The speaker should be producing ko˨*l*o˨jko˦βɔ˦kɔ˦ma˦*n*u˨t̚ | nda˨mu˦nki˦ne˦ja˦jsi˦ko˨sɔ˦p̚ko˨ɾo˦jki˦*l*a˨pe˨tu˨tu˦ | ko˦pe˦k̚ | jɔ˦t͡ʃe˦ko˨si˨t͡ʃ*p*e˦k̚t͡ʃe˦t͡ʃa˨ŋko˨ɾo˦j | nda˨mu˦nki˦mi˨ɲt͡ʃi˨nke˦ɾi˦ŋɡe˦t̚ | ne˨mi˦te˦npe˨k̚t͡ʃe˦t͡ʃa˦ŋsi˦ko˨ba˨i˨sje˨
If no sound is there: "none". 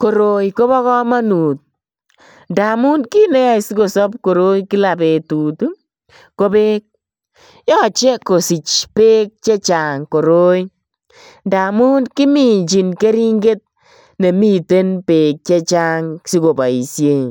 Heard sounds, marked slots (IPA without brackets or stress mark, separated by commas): ɾ, n, l, p